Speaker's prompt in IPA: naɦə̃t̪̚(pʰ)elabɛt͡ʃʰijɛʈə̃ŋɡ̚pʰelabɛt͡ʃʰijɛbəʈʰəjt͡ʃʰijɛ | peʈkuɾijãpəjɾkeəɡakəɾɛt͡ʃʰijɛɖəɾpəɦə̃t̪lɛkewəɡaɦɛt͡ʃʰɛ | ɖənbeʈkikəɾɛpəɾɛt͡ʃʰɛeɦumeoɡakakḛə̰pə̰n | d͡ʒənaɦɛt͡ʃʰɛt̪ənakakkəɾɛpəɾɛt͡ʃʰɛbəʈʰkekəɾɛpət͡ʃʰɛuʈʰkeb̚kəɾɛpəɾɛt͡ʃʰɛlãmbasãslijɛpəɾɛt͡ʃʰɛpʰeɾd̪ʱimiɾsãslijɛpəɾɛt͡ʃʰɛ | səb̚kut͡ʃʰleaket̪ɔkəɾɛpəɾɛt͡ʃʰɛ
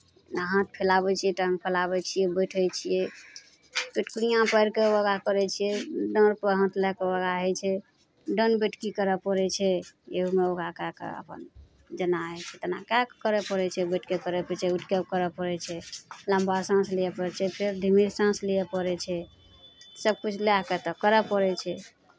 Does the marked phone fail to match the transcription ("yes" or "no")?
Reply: no